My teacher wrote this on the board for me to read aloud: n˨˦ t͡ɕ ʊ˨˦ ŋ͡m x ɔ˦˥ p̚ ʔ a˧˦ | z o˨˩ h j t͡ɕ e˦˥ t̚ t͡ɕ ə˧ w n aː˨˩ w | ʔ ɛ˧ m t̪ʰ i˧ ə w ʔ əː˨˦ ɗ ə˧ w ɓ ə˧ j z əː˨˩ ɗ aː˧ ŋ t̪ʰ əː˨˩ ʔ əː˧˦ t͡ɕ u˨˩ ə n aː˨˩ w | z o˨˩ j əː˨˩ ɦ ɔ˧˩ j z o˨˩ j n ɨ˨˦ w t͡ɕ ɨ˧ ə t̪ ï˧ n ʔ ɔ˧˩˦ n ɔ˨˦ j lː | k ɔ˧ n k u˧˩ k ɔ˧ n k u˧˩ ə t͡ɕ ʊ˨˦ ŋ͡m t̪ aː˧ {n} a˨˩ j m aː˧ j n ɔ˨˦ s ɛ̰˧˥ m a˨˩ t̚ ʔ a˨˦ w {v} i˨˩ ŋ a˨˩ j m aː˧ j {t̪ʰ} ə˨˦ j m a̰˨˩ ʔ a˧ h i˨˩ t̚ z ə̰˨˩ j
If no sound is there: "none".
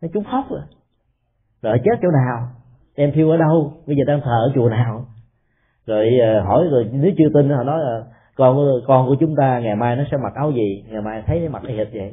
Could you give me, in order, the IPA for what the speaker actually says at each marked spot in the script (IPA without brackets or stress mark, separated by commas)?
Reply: ŋ, z, t̪ʰ